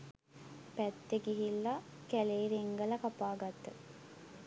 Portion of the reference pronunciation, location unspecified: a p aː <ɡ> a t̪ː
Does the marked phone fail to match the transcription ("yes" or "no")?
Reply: no